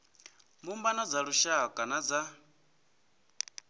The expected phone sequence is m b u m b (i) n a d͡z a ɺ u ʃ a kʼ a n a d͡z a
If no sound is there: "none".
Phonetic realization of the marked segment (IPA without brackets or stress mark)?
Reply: a